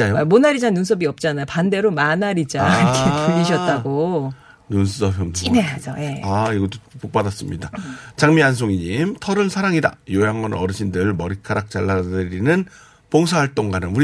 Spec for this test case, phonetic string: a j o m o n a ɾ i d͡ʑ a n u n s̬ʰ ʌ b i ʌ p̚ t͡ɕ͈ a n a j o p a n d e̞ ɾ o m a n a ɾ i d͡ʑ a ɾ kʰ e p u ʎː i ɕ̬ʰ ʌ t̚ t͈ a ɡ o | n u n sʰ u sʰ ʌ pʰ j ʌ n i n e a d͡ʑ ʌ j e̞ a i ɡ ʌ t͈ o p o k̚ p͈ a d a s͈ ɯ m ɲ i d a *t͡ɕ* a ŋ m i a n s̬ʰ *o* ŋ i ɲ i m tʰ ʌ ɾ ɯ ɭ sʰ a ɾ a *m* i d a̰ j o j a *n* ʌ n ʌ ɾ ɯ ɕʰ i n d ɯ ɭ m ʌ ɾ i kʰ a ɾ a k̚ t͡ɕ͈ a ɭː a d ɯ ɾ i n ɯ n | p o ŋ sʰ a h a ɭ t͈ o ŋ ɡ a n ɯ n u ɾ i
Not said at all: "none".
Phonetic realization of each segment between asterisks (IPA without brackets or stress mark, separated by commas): t͡ɕ, o, ŋ, ŋ